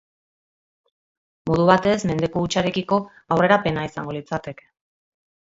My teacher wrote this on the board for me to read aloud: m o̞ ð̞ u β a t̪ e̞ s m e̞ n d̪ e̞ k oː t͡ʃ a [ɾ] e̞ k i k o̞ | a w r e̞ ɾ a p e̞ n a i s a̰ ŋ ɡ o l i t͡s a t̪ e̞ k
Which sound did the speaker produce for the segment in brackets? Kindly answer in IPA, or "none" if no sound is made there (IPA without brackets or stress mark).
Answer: ɾ